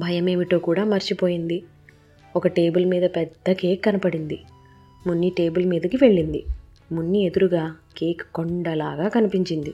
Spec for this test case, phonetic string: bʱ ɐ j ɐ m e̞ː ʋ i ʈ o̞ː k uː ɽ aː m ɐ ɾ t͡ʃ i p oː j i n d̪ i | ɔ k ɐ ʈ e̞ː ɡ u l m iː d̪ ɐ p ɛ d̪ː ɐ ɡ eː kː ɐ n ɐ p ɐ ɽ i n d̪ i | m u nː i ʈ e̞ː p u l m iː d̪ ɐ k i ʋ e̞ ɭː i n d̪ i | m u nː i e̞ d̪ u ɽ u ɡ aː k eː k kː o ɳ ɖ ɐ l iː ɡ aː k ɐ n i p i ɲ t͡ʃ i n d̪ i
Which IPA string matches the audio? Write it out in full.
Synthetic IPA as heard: bʱ ɐ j ɐ m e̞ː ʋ i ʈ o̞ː k uː ɽ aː m ɐ ɾ t͡ʃ i p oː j i n d̪ i | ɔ k ɐ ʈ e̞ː b u l m iː d̪ ɐ p ɛ d̪ː ɐ k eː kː ɐ n ɐ p ɐ ɽ i n d̪ i | m u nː i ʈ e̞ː b u l m iː d̪ ɐ k i ʋ e̞ ɭː i n d̪ i | m u nː i e̞ d̪ u ɾ u ɡ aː k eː k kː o ɳ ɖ ɐ l aː ɡ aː k ɐ n i p i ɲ t͡ʃ i n d̪ i